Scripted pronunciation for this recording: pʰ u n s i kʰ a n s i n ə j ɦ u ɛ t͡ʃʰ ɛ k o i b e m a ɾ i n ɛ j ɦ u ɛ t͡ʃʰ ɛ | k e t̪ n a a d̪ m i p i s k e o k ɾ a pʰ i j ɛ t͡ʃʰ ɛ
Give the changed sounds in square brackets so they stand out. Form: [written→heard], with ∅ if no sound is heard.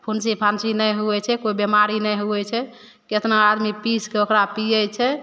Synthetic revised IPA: pʰ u n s i [kʰ→pʰ] a n s i n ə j ɦ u ɛ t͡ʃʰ ɛ k o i b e m a ɾ i n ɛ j ɦ u ɛ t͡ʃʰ ɛ | k e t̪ n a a d̪ m i p i s k e o k ɾ a [pʰ→p] i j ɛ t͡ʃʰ ɛ